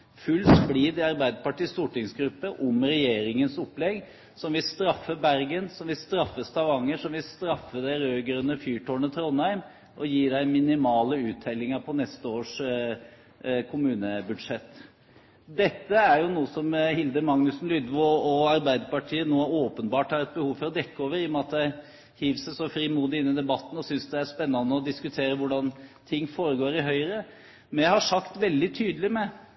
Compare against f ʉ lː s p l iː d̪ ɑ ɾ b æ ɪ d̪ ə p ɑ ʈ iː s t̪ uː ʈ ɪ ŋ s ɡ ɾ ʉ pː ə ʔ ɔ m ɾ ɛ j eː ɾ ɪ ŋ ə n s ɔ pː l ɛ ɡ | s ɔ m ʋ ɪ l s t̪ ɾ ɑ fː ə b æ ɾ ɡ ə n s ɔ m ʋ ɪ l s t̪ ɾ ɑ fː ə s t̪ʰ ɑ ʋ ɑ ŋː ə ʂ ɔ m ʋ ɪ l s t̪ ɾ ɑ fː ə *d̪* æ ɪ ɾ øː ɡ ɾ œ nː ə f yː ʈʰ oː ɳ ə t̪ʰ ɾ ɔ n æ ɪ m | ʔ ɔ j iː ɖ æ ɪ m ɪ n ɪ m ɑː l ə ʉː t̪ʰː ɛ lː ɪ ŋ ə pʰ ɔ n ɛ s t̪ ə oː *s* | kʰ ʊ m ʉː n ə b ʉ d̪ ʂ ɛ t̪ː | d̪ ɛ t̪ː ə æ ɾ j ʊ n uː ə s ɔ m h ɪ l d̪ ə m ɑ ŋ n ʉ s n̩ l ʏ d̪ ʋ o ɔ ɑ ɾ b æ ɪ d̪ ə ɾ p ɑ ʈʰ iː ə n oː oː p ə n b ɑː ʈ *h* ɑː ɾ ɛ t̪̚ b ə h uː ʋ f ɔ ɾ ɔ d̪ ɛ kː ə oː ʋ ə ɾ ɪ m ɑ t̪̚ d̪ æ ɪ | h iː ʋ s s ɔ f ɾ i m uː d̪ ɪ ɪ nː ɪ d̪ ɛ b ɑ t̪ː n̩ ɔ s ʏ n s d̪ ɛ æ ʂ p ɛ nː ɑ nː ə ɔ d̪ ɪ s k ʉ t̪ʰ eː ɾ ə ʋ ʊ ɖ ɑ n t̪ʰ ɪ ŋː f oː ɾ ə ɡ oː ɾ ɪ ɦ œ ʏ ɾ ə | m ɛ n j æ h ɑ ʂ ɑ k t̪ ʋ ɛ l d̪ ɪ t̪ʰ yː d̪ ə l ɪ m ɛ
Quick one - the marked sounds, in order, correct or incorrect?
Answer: correct, incorrect, correct

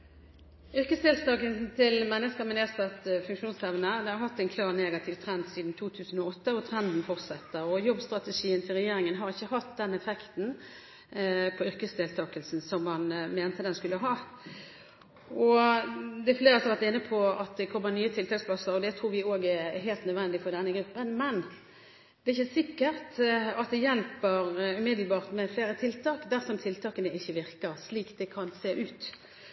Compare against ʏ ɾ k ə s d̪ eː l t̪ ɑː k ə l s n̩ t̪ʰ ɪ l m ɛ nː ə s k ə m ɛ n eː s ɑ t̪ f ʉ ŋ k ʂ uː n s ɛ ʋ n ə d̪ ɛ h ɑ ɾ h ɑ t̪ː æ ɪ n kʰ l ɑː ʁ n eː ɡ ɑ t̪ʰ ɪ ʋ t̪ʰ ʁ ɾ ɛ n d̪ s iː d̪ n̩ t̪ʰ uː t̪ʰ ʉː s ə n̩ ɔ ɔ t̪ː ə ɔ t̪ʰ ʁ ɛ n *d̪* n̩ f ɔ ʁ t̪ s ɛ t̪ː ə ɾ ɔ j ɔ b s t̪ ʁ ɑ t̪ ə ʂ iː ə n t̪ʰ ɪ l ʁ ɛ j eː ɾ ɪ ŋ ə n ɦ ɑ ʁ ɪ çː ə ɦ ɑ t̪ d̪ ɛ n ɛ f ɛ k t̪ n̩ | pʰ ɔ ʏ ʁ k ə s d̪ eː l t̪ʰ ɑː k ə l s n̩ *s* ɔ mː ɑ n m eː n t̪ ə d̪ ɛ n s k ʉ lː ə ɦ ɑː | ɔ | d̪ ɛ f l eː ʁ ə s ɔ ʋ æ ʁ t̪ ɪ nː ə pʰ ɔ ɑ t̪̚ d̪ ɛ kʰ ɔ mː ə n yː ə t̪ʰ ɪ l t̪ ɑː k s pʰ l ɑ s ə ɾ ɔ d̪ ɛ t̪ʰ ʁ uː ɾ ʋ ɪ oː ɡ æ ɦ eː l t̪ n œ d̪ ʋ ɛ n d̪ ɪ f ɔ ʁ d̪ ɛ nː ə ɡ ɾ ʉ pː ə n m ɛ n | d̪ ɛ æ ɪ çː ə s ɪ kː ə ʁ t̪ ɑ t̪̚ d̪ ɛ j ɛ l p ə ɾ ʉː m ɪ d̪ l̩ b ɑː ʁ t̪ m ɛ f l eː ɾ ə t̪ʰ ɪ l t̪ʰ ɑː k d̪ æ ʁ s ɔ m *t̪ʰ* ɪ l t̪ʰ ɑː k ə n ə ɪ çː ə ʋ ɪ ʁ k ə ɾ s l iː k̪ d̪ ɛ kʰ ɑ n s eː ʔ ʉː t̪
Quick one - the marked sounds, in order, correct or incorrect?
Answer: correct, correct, correct

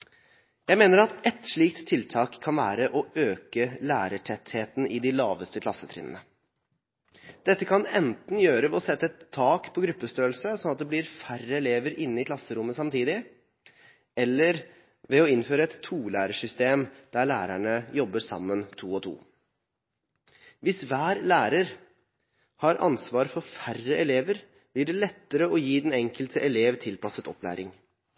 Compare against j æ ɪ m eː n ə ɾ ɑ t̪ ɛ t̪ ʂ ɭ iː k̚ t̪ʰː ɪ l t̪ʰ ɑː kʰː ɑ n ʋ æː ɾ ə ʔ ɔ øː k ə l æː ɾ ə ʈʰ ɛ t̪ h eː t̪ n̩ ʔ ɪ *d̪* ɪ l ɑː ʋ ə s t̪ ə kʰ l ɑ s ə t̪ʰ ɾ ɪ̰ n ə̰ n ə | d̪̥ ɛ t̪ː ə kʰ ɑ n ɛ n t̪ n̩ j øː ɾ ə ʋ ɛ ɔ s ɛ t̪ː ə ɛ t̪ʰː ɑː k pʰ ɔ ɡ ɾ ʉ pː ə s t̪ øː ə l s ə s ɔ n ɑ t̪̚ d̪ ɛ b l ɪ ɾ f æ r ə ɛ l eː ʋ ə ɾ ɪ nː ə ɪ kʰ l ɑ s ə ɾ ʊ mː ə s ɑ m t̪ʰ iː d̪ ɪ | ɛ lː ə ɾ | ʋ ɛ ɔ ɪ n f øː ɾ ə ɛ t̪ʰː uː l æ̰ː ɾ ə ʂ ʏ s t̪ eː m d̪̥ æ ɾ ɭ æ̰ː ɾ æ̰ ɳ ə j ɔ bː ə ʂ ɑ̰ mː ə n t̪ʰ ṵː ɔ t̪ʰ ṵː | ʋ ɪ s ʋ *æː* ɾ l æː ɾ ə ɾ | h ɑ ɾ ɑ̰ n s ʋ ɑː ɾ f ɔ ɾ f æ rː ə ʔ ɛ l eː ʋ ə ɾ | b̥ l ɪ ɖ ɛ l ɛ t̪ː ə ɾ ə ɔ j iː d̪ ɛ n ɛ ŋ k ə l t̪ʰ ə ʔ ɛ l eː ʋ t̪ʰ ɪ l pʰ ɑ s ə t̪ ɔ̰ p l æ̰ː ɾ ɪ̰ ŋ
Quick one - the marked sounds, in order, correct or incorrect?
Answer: correct, correct

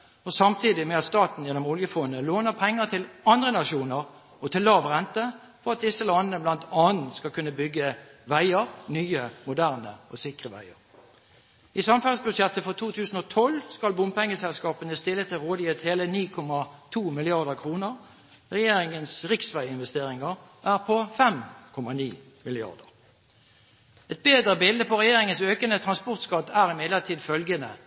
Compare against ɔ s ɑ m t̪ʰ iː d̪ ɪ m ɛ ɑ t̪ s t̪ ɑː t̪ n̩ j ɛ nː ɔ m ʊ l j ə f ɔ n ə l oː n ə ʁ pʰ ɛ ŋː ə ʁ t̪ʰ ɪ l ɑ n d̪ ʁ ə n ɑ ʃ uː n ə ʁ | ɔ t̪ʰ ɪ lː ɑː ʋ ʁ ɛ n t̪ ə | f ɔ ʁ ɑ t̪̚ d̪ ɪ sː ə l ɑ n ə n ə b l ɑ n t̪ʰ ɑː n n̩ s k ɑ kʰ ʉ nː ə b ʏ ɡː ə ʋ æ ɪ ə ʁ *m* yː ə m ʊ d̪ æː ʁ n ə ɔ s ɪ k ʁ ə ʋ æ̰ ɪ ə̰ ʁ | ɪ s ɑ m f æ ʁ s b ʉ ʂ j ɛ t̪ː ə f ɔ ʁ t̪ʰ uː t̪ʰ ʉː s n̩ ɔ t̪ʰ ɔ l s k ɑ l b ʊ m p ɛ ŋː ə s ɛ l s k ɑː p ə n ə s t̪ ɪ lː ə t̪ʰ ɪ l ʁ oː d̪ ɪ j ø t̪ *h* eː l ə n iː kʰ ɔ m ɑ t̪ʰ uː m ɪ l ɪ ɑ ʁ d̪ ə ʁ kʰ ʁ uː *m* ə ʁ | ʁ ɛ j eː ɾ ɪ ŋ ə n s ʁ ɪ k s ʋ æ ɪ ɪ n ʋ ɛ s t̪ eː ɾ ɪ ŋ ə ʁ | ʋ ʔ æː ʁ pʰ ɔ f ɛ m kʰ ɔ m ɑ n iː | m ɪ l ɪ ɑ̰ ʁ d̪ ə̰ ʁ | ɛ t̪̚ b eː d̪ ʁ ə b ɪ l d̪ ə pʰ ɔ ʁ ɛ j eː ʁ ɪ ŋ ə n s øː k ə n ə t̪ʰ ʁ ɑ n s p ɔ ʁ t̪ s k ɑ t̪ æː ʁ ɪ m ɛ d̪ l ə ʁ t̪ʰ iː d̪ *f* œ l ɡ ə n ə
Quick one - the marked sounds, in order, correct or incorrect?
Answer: incorrect, correct, incorrect, correct

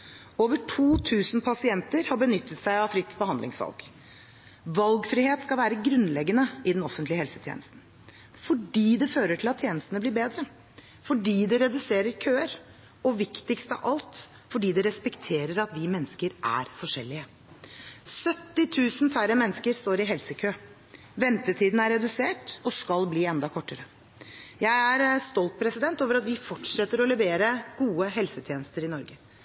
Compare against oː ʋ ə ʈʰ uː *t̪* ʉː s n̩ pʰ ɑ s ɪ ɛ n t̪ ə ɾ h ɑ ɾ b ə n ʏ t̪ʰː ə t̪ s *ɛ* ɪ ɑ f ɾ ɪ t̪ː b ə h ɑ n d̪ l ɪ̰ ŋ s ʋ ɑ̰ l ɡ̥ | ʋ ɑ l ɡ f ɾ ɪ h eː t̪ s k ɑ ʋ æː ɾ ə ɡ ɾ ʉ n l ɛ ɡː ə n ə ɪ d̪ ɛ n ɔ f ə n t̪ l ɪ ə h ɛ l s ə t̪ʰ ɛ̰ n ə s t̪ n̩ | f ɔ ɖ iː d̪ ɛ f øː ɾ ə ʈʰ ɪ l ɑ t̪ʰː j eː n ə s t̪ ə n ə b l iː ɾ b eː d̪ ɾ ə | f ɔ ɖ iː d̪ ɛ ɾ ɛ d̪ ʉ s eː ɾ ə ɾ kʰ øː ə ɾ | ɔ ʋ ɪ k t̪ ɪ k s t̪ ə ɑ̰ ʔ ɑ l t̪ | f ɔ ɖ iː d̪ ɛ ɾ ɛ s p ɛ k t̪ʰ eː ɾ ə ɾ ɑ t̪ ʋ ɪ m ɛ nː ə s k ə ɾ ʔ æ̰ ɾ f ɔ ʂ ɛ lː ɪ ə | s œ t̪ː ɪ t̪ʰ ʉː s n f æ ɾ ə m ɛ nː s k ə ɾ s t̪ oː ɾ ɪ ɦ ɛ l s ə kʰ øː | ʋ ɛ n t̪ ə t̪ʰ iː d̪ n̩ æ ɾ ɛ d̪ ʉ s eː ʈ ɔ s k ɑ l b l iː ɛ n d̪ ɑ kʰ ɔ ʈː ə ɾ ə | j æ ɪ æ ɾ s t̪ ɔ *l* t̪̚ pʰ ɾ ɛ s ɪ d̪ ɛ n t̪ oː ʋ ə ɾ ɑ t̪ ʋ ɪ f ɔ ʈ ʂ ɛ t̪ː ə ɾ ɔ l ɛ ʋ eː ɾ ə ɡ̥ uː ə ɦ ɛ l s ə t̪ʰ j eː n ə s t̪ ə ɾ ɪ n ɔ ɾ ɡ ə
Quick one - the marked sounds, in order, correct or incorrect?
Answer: incorrect, incorrect, correct

